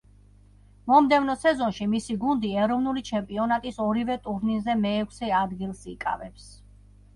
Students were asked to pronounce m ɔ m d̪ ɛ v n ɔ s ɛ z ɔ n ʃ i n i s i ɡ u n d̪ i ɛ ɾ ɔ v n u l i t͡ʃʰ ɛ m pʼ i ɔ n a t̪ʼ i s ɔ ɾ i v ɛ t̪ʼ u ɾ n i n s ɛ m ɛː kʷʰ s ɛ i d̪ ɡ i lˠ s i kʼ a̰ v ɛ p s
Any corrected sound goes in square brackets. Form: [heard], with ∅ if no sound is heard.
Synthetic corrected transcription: m ɔ m d̪ ɛ v n ɔ s ɛ z ɔ n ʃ i [m] i s i ɡ u n d̪ i ɛ ɾ ɔ v n u l i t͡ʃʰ ɛ m pʼ i ɔ n a t̪ʼ i s ɔ ɾ i v ɛ t̪ʼ u ɾ n i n [z] ɛ m ɛː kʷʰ s ɛ [a] d̪ ɡ i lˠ s i kʼ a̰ v ɛ p s